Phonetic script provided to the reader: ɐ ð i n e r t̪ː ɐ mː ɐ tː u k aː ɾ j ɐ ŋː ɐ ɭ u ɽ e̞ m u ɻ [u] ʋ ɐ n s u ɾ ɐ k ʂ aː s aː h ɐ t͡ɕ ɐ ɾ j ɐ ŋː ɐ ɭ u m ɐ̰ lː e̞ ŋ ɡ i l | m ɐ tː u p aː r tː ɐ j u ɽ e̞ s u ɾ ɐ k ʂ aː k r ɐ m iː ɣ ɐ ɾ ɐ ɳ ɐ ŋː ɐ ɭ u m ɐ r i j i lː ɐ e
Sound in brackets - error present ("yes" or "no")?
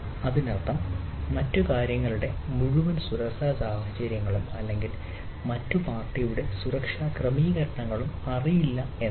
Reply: no